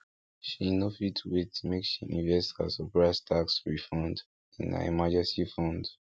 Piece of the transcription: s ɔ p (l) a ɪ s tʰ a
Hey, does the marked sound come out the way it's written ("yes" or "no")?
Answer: no